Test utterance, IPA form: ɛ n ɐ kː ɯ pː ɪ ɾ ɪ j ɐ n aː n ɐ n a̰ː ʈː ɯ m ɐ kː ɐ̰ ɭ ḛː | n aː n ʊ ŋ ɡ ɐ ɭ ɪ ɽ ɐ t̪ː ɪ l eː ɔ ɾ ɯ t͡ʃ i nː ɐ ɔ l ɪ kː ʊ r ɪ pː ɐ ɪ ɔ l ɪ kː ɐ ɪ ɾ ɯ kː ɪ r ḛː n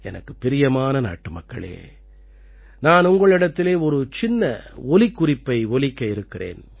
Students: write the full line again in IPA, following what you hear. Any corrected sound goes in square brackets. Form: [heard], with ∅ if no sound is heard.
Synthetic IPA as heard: ɛ n ɐ kː ɯ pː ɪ ɾ ɪ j ɐ [m] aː n ɐ n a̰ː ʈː ɯ m ɐ kː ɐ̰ ɭ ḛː | n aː n ʊ ŋ ɡ ɐ ɭ ɪ ɽ ɐ t̪ː ɪ l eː ɔ ɾ ɯ t͡ʃ [ɪ] nː ɐ ɔ l ɪ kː ʊ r ɪ pː ɐ ɪ ɔ l ɪ kː ɐ ɪ ɾ ɯ kː ɪ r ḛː n